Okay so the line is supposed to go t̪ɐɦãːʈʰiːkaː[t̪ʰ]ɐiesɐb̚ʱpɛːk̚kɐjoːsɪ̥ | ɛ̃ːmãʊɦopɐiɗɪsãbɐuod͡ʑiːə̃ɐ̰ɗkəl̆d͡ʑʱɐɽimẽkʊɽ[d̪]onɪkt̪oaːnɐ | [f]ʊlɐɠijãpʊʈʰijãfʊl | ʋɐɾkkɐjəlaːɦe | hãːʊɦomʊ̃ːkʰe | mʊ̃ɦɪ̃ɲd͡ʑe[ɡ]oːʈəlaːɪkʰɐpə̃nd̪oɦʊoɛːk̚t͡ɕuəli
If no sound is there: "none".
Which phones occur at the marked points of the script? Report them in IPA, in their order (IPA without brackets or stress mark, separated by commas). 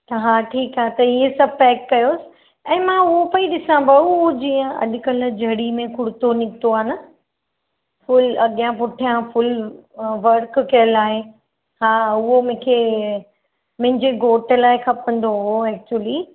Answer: t̪, t̪, f, ɡ